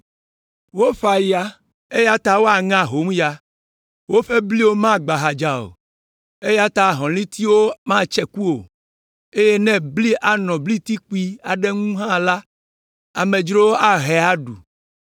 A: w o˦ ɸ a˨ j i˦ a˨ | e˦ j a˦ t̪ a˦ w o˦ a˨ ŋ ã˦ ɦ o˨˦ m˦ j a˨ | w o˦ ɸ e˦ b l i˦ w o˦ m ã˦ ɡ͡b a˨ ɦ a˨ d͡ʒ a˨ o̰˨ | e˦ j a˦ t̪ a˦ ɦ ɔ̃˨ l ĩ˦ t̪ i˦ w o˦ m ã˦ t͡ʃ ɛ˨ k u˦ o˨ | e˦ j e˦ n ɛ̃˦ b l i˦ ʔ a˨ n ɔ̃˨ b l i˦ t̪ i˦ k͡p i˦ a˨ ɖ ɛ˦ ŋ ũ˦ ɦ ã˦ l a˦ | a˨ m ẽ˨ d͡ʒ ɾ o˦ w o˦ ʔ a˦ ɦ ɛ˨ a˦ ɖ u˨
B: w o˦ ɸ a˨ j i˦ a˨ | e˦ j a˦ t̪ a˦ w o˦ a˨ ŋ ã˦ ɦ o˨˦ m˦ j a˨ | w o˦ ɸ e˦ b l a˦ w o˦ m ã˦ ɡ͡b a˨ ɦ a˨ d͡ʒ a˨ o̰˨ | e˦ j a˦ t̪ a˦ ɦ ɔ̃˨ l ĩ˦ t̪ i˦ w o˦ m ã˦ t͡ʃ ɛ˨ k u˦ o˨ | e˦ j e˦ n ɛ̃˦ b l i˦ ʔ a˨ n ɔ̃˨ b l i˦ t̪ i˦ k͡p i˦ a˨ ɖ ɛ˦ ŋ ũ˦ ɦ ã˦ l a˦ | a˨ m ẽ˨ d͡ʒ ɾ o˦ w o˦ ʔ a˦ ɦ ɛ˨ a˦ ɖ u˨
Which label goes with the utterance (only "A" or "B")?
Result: A